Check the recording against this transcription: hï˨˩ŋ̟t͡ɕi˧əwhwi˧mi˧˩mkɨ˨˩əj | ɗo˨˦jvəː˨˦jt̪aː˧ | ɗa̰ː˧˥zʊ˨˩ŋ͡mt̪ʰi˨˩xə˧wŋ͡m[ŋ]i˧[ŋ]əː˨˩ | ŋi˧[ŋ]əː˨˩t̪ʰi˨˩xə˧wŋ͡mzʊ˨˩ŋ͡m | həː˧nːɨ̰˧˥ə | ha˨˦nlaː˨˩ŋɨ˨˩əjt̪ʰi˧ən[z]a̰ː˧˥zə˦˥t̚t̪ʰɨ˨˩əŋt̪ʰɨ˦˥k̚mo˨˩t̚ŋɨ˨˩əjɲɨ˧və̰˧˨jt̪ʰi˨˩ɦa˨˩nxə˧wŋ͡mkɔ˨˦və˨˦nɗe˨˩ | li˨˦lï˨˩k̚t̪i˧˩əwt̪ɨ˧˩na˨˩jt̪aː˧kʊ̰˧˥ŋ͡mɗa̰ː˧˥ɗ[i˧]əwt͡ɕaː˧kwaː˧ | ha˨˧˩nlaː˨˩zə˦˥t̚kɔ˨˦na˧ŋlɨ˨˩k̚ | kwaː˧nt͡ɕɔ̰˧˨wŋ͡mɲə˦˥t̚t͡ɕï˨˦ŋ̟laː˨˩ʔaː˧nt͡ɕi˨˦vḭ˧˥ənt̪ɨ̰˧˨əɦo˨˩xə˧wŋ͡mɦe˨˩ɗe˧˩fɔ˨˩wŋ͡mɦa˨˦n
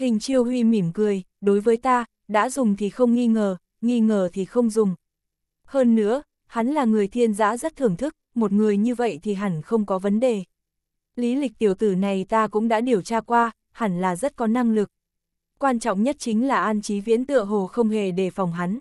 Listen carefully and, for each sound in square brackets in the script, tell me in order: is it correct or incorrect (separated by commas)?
correct, correct, correct, correct, incorrect